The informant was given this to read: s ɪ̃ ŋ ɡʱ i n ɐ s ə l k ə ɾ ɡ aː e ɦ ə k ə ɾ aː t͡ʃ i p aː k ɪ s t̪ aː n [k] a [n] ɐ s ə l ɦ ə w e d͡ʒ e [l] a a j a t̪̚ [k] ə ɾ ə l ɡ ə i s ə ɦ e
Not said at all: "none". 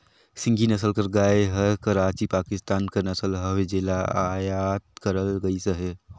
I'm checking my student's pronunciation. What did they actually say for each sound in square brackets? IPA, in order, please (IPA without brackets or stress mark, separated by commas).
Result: k, n, l, k